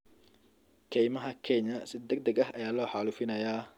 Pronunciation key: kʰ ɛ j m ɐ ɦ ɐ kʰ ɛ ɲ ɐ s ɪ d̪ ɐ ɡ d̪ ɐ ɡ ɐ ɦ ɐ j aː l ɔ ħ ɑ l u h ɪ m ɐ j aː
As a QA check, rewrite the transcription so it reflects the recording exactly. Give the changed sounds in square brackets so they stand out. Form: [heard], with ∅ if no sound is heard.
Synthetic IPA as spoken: kʰ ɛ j m ɐ ɦ ɐ kʰ ɛ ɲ ɐ s ɪ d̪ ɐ ɡ d̪ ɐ ɡ ɐ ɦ ɐ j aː l [ɔː] ħ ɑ l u [f] ɪ [n] ɐ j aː